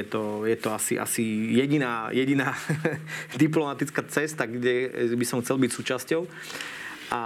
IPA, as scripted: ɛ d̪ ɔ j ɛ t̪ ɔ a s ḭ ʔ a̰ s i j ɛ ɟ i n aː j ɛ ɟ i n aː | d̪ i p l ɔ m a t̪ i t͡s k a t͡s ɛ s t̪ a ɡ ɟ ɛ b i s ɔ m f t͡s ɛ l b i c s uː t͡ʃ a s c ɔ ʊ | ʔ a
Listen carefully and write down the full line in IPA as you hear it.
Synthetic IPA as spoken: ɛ t̪ ɔ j ɛ t̪ ɔ a s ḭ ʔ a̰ s i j ɛ ɟ i n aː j ɛ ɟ i n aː | d̪ i p l ɔ m a t̪ i t͡s k a t͡s ɛ s t̪ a ɡ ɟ ɛ b i s ɔ m x t͡s ɛ l b i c s uː t͡ʃ a s c ɔ ʊ | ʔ a